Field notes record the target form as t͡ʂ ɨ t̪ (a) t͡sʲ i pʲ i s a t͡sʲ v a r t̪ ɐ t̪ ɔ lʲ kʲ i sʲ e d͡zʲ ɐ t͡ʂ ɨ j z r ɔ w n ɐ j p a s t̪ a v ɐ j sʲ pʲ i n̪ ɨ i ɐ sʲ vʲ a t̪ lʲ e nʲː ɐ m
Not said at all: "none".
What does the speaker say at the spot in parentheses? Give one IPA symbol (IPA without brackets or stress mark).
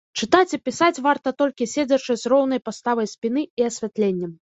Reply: a